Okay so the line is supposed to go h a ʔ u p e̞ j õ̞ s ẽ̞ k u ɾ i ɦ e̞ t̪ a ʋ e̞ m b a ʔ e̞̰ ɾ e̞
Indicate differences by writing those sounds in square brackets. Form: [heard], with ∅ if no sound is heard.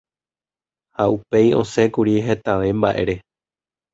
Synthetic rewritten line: h a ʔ u p e̞ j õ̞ s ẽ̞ k u ɾ i ɦ e̞ t̪ a ʋ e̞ m b a ʔ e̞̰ ɾ e̞